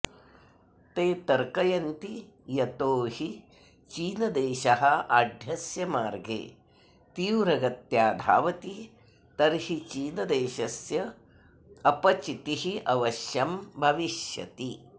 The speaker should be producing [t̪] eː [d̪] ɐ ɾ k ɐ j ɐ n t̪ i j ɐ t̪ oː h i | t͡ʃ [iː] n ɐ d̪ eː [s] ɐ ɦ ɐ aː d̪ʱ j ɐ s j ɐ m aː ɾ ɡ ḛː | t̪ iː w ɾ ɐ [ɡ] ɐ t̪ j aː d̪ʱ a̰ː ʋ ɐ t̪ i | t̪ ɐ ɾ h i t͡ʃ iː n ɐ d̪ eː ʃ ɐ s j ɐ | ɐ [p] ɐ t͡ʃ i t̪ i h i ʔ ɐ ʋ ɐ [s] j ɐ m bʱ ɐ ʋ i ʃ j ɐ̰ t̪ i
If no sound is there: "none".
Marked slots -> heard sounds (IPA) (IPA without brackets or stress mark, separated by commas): t̪, t̪, iː, ʃ, ɡ, p, ʃ